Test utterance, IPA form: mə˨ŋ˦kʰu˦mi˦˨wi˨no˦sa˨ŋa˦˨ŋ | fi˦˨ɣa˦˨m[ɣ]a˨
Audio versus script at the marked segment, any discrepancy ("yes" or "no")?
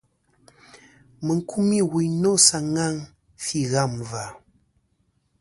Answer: yes